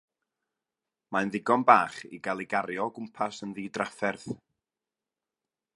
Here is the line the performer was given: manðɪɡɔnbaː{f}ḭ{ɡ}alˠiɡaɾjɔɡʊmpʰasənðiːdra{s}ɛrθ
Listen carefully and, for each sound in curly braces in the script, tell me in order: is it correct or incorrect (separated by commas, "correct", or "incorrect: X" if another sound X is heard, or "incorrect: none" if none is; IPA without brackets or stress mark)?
incorrect: χ, correct, incorrect: f